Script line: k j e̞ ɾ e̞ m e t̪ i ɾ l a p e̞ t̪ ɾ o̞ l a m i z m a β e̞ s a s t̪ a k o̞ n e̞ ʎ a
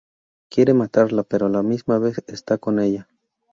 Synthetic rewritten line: k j e̞ ɾ e̞ m a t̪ a ɾ l a p e̞ ɾ o̞ l a m i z m a β e̞ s e s t̪ a k o̞ n e̞ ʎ a